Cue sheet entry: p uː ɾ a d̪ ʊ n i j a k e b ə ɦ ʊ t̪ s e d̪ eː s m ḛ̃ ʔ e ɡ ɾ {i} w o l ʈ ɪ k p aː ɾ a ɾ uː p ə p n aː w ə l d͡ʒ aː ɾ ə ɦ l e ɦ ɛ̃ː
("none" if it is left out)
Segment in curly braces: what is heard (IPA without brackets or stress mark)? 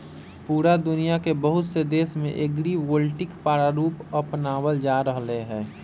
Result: i